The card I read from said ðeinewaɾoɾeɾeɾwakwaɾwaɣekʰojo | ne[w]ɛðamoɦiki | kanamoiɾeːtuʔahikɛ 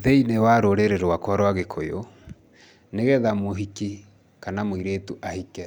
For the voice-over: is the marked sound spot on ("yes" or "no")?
no